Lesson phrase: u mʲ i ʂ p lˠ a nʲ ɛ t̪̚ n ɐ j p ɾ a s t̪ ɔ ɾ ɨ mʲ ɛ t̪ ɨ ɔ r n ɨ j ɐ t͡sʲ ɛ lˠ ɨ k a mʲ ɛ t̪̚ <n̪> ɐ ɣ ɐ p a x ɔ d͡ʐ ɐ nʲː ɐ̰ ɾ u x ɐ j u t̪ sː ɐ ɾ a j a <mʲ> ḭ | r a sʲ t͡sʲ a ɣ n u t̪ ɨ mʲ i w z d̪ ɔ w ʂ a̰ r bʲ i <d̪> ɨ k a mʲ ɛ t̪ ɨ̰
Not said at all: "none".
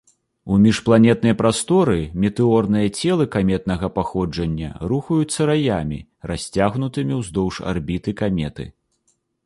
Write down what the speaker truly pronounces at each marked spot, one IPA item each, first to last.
n̪, mʲ, t̪

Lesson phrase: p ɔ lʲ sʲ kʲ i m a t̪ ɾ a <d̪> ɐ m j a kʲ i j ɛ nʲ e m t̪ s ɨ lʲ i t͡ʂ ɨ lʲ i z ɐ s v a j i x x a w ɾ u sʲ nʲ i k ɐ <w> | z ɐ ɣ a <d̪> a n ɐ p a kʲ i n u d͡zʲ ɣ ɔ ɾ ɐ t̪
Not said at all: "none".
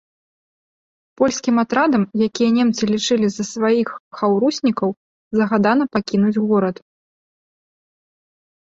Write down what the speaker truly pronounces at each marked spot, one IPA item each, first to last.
d̪, w, d̪

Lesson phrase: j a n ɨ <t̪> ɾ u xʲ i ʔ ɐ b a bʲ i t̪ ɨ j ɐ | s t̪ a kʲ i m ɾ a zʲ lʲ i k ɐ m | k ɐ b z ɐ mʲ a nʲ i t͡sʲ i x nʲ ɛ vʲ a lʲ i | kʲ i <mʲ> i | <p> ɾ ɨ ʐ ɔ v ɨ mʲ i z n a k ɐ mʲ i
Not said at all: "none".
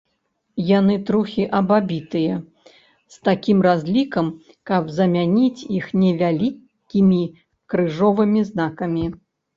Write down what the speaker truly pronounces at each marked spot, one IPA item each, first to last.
t̪, mʲ, k

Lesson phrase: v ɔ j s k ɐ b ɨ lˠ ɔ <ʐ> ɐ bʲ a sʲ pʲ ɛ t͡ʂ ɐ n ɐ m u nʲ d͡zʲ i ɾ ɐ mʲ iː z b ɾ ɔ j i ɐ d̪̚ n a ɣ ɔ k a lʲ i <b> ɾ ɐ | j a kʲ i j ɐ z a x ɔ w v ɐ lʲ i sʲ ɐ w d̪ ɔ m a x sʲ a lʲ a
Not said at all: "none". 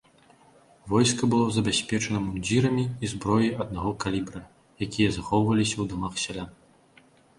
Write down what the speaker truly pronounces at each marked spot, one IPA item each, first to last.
z, b

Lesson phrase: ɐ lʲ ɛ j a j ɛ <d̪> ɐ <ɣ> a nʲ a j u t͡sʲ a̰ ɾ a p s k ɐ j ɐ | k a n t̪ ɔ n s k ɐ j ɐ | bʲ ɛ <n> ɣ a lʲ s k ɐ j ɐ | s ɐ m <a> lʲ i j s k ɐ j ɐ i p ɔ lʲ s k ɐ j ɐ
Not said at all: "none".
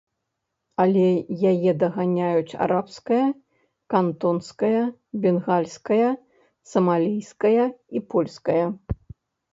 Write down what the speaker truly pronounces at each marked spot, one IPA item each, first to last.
d̪, ɣ, n, a

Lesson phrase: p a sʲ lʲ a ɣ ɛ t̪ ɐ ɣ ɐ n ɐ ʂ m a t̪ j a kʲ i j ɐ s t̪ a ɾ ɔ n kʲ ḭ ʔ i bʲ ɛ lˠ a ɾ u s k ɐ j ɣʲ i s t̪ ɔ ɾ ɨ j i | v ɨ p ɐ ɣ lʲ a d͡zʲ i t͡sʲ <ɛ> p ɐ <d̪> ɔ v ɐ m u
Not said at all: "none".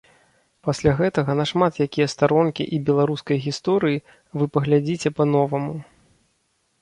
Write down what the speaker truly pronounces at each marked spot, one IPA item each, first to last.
ɛ, n̪

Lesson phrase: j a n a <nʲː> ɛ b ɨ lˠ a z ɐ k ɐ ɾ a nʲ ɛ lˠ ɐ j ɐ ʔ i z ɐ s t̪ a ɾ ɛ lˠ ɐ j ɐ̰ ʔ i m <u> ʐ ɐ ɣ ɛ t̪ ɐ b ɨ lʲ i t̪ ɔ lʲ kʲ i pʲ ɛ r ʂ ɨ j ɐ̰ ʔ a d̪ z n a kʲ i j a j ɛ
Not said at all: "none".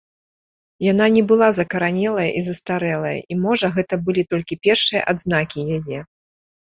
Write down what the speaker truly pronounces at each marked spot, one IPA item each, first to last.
nʲ, ɔ

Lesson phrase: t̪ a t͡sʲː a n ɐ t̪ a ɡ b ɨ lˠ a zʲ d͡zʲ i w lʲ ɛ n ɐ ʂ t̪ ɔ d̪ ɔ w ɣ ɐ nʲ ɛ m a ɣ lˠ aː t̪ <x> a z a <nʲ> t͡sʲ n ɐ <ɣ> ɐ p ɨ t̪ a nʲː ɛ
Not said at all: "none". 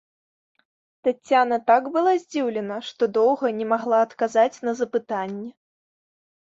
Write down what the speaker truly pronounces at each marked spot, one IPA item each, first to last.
k, none, z

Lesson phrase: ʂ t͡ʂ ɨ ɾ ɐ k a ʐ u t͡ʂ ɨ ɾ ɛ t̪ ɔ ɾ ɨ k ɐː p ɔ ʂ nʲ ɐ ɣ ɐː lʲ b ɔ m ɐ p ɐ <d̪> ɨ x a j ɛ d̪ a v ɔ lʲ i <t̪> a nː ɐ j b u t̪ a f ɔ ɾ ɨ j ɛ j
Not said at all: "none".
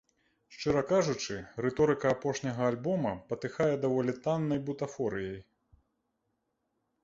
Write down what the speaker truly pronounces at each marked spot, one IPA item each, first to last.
t̪, t̪

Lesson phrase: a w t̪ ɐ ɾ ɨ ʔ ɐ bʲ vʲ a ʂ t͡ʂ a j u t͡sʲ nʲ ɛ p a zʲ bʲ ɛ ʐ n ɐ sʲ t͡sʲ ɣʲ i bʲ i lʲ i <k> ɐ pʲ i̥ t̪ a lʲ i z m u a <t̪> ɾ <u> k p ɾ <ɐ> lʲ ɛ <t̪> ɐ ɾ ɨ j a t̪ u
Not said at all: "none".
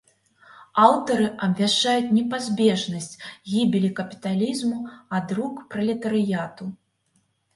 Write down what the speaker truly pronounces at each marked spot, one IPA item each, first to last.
k, d̪, u, ɐ, t̪

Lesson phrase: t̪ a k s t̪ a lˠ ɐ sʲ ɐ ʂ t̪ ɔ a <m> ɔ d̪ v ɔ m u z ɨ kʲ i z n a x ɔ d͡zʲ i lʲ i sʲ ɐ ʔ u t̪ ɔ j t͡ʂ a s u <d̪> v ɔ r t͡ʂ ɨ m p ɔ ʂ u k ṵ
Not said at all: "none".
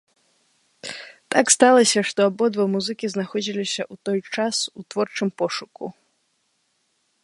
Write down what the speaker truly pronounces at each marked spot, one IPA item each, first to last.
b, t̪

